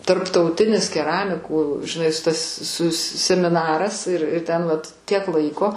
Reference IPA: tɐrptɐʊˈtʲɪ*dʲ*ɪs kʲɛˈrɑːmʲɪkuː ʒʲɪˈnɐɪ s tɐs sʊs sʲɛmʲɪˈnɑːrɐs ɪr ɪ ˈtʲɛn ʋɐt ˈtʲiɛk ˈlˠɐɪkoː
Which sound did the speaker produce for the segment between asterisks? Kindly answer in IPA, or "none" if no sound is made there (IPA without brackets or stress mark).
nʲ